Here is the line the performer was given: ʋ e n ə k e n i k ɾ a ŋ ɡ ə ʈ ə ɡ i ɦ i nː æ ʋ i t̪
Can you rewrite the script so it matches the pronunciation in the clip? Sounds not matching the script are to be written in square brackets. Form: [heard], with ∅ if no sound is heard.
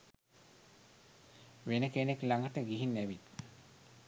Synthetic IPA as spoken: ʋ e n ə k e n [e] k [l] a ŋ ɡ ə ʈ ə ɡ i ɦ i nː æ ʋ i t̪